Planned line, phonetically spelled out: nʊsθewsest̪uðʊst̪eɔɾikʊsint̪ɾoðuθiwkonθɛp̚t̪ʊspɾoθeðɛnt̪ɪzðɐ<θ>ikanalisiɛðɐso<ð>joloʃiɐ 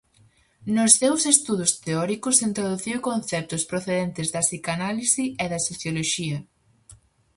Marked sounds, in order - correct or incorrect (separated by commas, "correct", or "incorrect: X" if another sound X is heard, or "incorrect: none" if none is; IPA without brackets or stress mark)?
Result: incorrect: s, incorrect: θ